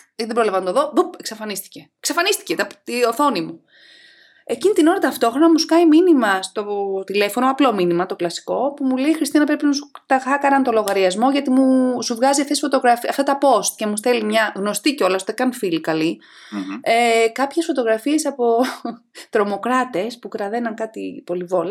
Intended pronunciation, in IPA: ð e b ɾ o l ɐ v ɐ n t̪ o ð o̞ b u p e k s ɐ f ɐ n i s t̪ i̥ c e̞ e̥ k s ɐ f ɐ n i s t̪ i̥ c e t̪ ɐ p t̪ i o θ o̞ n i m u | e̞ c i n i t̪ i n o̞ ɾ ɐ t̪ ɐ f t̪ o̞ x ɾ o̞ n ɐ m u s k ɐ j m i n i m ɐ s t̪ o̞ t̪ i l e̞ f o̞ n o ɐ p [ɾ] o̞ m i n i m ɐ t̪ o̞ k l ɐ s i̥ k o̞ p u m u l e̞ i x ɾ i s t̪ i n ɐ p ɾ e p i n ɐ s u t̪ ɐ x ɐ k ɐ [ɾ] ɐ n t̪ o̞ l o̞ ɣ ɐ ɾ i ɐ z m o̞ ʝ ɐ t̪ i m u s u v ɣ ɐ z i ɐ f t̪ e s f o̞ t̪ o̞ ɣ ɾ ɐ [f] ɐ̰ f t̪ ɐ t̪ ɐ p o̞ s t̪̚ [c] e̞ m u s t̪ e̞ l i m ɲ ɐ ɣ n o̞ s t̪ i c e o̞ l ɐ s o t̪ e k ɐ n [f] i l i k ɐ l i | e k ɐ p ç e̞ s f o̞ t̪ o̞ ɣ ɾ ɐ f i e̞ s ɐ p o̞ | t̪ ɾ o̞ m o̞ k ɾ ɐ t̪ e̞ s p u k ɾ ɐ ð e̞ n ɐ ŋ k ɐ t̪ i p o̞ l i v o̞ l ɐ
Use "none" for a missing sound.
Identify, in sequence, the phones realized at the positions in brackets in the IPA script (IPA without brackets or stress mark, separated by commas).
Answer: l, ɾ, f, c, f